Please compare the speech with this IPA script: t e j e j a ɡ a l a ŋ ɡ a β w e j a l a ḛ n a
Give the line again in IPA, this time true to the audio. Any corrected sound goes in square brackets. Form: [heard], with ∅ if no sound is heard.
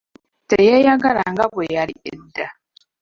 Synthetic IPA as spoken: t e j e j a ɡ a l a ŋ ɡ a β w e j a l [i] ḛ [d] a